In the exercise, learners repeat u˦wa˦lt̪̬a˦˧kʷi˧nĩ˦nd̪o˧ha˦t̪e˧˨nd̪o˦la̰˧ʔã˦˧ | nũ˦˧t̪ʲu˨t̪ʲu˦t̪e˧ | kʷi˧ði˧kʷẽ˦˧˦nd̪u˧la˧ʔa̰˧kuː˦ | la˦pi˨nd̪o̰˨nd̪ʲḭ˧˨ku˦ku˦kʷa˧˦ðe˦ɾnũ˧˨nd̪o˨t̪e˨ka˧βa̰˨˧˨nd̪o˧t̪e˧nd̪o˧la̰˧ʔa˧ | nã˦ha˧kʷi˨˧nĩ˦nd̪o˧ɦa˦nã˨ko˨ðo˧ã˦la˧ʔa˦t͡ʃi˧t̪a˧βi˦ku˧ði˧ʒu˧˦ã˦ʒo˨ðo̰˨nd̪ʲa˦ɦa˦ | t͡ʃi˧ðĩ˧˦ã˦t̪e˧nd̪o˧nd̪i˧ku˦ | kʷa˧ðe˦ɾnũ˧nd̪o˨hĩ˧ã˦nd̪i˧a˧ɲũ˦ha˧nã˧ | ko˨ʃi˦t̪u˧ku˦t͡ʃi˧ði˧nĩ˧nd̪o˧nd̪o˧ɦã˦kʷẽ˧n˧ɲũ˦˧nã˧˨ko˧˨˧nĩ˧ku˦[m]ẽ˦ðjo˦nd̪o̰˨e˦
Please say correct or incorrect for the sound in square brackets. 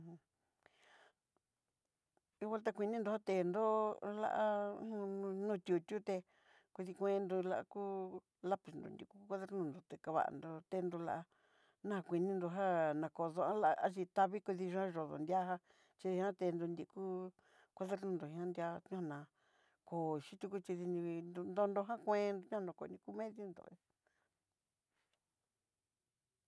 correct